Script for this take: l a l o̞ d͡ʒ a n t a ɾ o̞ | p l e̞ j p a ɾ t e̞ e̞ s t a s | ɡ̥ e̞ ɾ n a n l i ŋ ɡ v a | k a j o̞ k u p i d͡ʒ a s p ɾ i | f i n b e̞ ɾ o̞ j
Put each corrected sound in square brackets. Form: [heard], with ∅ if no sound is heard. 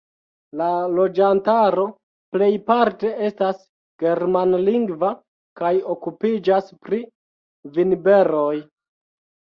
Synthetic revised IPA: l a l o̞ d͡ʒ a n t a ɾ o̞ | p l e̞ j p a ɾ t e̞ e̞ s t a s | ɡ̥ e̞ ɾ [m] a n l i ŋ ɡ v a | k a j o̞ k u p i d͡ʒ a s p ɾ i | [v] i n b e̞ ɾ o̞ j